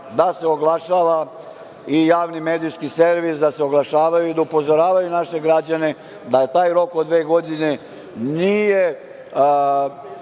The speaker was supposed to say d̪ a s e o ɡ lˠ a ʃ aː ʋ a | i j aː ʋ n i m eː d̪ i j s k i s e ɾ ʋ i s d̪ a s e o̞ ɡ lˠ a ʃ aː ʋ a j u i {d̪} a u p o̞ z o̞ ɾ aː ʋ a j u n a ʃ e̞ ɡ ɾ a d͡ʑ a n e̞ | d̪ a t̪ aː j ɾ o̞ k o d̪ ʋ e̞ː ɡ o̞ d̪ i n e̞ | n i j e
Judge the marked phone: correct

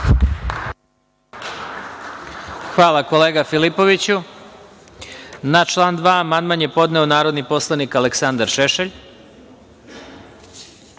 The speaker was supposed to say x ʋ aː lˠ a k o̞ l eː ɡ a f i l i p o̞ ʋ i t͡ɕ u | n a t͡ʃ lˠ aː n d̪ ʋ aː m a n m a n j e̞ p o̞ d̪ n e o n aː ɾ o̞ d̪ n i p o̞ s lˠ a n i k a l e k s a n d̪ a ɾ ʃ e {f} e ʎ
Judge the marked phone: incorrect: ʃ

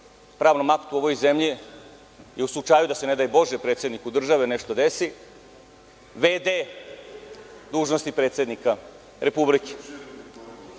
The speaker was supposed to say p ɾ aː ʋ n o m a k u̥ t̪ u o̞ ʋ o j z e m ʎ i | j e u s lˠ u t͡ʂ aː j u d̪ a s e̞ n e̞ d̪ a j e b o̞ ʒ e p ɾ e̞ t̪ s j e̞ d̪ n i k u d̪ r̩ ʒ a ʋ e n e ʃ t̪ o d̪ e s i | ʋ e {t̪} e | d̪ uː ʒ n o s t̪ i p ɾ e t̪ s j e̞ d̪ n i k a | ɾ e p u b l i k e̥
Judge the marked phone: incorrect: d̪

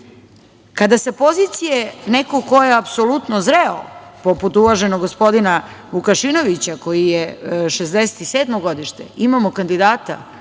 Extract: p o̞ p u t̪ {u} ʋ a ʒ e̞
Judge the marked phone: correct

